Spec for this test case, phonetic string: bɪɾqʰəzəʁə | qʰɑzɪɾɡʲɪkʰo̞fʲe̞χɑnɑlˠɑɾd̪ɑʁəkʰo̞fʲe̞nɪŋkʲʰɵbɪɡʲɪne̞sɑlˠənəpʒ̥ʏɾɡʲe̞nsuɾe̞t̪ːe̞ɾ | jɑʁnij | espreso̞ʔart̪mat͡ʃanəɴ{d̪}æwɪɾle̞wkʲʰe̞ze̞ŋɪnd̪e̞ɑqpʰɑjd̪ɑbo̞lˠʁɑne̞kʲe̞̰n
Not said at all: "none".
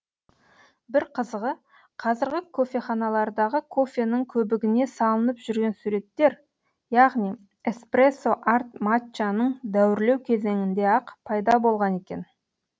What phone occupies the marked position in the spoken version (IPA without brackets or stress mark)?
d̪